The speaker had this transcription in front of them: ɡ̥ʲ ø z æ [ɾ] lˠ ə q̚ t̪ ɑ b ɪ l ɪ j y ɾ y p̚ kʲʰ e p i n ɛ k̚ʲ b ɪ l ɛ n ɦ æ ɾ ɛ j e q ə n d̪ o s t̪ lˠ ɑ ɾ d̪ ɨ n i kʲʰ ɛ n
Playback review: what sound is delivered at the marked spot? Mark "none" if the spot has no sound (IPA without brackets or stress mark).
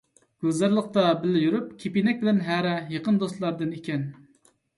ɾ